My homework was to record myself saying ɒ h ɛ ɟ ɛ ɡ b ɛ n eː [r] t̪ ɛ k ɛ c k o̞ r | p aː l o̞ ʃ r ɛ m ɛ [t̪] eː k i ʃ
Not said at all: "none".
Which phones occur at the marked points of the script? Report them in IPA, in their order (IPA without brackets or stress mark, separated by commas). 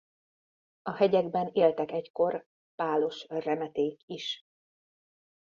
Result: l, t̪